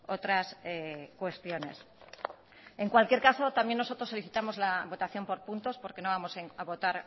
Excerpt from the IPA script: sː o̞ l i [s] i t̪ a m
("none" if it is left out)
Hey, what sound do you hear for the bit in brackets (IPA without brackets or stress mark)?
θ